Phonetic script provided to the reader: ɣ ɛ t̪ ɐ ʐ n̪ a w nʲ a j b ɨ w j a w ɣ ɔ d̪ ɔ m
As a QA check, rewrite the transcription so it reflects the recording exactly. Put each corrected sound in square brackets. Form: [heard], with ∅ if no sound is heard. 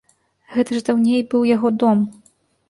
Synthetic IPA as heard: ɣ ɛ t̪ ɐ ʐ [d̪] a w nʲ [e] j b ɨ w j a [∅] ɣ ɔ d̪ ɔ m